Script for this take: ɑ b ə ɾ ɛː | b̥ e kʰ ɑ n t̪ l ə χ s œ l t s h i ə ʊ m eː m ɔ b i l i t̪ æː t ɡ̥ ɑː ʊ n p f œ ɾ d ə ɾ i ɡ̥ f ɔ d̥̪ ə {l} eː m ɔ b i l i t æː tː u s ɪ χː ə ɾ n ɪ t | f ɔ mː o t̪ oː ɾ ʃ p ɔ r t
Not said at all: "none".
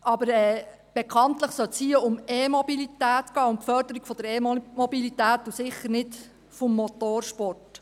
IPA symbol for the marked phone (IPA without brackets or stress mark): ɾ